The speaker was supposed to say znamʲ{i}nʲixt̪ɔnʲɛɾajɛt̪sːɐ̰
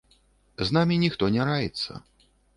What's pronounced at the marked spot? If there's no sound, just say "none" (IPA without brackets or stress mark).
i